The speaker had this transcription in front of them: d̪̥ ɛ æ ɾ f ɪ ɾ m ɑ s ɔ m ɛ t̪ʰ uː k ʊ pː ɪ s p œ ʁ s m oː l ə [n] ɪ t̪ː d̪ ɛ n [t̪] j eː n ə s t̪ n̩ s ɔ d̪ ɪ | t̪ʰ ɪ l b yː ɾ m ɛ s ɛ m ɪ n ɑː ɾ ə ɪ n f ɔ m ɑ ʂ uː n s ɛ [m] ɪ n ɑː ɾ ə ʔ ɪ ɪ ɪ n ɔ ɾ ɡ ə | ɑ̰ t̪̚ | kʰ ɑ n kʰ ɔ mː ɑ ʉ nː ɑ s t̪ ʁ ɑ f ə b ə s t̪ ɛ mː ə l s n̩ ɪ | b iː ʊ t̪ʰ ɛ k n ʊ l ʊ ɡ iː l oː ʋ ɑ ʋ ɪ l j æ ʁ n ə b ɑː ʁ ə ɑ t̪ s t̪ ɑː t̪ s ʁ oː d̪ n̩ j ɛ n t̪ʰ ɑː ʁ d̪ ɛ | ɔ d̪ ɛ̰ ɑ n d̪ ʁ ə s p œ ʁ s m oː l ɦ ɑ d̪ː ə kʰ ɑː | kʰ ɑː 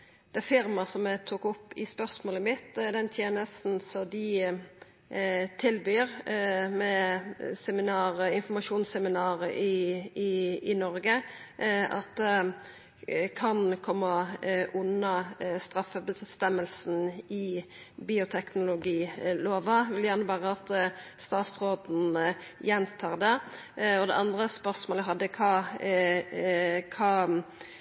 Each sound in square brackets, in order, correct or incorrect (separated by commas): incorrect, incorrect, correct